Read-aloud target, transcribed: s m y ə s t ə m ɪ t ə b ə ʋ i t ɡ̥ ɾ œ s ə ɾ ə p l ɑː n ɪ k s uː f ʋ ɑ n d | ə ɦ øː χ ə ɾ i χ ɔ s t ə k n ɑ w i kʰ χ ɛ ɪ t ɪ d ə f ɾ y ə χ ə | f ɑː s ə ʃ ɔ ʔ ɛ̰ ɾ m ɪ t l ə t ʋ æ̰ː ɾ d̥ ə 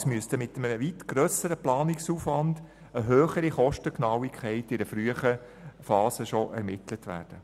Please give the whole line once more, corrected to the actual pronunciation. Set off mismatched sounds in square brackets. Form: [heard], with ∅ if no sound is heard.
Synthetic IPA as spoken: s m y ə s t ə m ɪ t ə [m] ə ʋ i t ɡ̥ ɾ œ s ə ɾ ə p l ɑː n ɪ k s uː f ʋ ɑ n d | ə ɦ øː χ ə ɾ i χ ɔ [ʃ] t ə k n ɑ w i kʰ χ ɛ ɪ t ɪ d ə f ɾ y ə χ ə | f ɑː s ə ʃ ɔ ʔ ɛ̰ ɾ m ɪ t l ə t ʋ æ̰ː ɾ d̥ ə